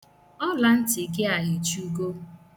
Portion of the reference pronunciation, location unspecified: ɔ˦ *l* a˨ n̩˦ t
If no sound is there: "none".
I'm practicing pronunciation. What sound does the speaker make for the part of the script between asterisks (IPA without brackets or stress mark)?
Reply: l